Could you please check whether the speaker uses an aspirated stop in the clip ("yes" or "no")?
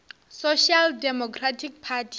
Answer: yes